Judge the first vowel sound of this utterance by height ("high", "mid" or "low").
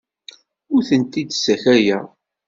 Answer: high